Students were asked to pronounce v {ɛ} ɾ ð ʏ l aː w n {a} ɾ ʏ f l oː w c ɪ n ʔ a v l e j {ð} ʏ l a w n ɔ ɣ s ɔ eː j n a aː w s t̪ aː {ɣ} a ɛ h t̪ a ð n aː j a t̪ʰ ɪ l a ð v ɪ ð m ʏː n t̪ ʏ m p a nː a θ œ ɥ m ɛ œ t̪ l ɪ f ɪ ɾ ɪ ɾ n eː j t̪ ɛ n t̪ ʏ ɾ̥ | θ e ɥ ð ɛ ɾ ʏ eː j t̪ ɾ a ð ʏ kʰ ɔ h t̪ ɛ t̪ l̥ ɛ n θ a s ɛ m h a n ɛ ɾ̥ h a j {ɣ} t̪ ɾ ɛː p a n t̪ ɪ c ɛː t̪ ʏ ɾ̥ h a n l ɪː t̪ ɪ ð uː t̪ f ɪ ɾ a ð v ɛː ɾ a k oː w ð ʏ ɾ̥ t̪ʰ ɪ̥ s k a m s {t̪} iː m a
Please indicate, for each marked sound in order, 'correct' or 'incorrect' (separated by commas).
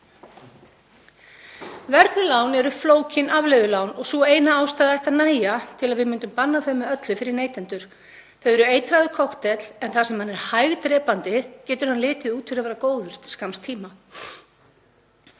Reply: correct, incorrect, correct, incorrect, correct, incorrect